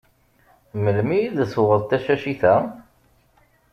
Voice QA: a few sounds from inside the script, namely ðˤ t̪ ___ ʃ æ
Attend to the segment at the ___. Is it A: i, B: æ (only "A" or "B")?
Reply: B